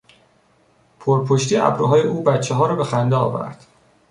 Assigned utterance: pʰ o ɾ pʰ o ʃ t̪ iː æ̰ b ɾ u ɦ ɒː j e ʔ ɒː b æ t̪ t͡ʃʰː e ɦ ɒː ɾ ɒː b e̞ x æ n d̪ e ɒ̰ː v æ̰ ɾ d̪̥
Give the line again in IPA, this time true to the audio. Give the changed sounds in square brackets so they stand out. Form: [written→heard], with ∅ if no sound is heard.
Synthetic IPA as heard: pʰ o ɾ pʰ o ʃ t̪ iː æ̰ b ɾ u ɦ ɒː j e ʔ [ɒː→uː] b æ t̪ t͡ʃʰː e ɦ ɒː ɾ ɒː b e̞ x æ n d̪ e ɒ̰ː v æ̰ ɾ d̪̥

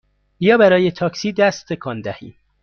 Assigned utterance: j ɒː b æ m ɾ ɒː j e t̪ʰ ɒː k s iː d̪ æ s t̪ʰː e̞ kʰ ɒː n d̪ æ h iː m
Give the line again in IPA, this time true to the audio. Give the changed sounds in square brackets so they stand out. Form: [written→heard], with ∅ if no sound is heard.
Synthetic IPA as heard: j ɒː b æ [m→∅] ɾ ɒː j e t̪ʰ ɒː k s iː d̪ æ s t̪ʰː e̞ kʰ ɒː n d̪ æ h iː m

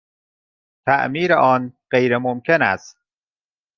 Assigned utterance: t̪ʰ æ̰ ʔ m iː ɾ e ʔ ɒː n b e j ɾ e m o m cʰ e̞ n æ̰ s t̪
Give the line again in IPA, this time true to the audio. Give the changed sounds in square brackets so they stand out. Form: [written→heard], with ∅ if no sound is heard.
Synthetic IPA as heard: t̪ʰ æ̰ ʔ m iː ɾ e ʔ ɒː n [b→ɢ] e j ɾ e m o m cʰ e̞ n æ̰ s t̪

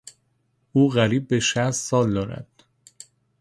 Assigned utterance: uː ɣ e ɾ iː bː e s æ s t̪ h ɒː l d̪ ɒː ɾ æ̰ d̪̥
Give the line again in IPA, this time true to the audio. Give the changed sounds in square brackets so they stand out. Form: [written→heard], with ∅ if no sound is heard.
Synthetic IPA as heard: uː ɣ [e→æ] ɾ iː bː e [s→ʃ] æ s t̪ [h→s] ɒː l d̪ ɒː ɾ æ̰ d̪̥

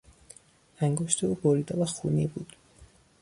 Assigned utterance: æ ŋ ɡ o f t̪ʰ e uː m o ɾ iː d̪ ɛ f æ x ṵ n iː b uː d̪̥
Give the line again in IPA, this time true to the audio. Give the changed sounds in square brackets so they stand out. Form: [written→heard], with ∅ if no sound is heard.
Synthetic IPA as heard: æ ŋ ɡ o [f→ʃ] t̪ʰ e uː [m→b] o ɾ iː d̪ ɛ [f→v] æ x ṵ n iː b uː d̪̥

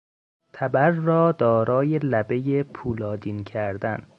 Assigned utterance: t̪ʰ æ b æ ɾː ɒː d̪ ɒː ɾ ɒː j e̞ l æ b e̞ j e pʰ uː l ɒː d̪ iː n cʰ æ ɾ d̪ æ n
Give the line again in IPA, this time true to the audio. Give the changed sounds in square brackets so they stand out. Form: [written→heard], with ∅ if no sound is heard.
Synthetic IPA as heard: t̪ʰ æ b æ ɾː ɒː d̪ ɒː ɾ ɒː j e̞ l æ b e̞ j e pʰ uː l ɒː d̪ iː n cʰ æ ɾ d̪ æ n

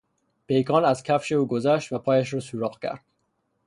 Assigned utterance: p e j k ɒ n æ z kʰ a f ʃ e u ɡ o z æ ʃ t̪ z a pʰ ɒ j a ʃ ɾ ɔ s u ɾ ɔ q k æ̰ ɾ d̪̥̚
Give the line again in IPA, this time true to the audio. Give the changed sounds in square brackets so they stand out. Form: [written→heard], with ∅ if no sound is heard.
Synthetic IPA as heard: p e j k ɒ n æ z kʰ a f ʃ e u ɡ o z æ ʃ t̪ [z→v] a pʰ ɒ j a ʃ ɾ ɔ s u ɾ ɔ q k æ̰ ɾ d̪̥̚

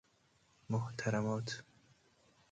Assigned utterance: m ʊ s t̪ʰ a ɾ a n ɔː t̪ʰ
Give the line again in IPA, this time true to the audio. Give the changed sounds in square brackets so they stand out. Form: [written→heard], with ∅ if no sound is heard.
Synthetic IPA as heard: m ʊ [s→h] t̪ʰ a ɾ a [n→m] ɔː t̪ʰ

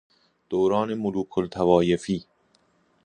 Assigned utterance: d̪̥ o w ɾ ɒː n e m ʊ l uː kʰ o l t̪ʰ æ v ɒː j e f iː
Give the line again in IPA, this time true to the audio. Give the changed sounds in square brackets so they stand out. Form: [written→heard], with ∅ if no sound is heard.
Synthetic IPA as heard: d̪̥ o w ɾ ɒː n e m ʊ l uː kʰ o l t̪ʰ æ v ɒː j e f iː

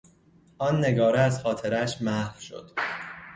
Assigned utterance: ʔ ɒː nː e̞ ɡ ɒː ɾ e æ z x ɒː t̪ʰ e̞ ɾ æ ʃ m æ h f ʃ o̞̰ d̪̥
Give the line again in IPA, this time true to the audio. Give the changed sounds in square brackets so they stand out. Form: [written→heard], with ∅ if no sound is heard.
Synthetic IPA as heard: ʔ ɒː nː e̞ ɡ ɒː ɾ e æ z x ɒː t̪ʰ e̞ ɾ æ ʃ m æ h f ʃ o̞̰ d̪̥

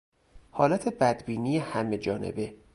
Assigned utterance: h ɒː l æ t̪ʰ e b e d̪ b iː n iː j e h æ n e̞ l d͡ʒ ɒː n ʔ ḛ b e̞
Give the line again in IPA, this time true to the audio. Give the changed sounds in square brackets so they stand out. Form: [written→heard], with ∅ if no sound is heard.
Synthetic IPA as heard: h ɒː l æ t̪ʰ e b [e→æ] d̪ b iː n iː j e h æ [n→m] e̞ [l→∅] d͡ʒ ɒː n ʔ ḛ b e̞

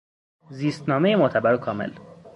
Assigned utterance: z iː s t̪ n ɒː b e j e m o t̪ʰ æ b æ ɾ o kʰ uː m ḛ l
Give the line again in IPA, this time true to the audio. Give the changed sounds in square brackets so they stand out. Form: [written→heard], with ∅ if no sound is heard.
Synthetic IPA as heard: z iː s t̪ n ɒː [b→m] e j e m o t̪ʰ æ b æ ɾ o kʰ [uː→ɒː] m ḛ l

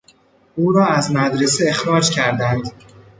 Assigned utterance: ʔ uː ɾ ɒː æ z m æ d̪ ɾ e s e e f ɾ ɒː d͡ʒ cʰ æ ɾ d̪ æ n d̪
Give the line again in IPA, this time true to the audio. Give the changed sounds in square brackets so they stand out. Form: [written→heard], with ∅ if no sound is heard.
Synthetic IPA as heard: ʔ uː ɾ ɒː æ z m æ d̪ ɾ e s e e [f→x] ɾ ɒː d͡ʒ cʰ æ ɾ d̪ æ n d̪

